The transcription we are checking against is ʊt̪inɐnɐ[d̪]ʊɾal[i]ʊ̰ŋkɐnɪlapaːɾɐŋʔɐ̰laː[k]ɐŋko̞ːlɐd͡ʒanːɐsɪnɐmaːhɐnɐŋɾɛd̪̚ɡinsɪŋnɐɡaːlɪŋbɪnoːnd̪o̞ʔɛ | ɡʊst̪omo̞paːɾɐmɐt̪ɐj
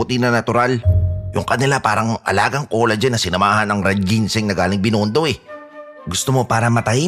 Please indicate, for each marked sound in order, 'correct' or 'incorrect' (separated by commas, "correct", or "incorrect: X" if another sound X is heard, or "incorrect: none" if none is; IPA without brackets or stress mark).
incorrect: t̪, incorrect: j, incorrect: ɡ